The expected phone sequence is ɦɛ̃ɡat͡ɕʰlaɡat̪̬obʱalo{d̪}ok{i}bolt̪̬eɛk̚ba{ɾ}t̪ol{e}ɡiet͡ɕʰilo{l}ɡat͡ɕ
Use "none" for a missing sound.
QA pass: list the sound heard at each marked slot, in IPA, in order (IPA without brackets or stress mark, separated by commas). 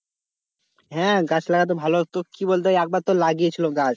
t̪, i, ɾ, a, none